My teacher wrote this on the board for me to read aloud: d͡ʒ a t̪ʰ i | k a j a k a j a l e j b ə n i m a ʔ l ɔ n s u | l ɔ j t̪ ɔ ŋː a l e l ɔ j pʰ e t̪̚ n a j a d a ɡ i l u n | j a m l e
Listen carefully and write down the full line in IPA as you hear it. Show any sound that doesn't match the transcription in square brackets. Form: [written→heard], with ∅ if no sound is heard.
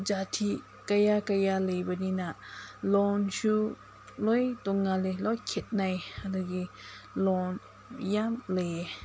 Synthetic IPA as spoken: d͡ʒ a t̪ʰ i | k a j a k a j a l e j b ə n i [m→n] a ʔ l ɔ n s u | l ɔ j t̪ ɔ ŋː a l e l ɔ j [pʰ→kʰ] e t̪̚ n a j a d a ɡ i l [u→ɔ] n | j a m l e